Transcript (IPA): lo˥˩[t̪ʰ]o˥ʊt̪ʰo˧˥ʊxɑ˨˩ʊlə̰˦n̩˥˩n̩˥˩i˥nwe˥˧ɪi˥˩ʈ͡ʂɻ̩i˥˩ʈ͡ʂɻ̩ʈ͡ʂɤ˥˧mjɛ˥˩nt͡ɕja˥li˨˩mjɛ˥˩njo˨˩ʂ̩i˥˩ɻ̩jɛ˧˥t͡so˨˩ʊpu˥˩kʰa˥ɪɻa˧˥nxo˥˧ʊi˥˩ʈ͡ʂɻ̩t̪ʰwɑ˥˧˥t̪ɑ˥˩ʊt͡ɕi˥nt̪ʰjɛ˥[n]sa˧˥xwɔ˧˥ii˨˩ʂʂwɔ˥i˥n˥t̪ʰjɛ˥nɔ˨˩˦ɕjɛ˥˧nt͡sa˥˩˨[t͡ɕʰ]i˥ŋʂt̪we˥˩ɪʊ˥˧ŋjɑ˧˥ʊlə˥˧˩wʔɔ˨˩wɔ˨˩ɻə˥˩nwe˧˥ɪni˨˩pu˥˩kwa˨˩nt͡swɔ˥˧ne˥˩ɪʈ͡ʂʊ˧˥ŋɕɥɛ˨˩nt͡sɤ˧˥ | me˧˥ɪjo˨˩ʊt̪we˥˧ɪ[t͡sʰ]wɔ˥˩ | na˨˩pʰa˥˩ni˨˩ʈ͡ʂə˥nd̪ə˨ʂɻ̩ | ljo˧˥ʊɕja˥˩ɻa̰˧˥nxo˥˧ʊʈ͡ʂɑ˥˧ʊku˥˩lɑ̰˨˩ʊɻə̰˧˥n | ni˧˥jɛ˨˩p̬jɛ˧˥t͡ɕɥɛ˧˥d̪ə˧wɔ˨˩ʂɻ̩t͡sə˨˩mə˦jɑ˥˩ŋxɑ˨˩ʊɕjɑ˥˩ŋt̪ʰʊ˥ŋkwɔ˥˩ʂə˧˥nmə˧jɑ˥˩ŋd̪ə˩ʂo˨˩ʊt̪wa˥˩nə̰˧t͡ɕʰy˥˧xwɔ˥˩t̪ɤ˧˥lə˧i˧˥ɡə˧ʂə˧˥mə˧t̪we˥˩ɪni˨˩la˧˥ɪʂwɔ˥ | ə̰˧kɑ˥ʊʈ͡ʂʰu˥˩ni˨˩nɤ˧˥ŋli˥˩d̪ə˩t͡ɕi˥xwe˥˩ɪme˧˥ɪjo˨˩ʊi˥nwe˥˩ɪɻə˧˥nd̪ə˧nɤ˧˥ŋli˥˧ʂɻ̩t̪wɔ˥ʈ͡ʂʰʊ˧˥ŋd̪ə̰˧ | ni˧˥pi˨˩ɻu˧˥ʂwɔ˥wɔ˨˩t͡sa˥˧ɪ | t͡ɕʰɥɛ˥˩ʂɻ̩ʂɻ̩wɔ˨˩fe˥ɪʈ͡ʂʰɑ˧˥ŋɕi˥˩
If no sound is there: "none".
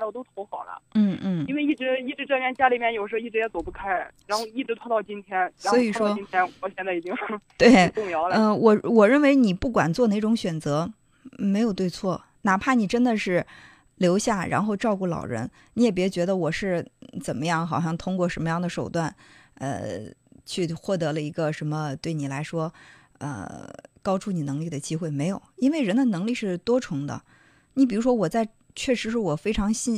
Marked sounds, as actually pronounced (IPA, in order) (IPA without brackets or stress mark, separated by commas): t̪, n, t͡ɕ, t͡sʰ